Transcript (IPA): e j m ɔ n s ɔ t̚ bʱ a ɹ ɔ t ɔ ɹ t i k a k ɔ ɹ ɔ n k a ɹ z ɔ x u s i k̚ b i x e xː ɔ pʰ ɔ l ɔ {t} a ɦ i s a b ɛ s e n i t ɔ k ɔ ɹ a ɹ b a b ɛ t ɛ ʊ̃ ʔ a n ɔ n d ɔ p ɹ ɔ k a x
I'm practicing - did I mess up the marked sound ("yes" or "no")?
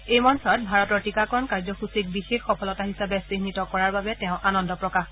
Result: no